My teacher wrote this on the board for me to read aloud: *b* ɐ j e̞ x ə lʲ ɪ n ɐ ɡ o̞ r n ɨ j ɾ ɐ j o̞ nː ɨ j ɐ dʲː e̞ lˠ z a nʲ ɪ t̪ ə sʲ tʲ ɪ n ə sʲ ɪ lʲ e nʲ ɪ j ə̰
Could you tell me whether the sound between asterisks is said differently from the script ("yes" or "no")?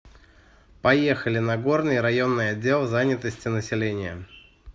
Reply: yes